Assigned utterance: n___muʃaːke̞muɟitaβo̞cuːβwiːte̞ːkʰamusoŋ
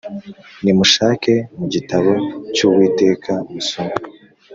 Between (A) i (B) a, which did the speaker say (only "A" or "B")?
A